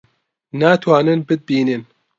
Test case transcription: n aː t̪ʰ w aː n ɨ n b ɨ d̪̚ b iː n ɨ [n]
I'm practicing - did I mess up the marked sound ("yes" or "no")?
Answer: no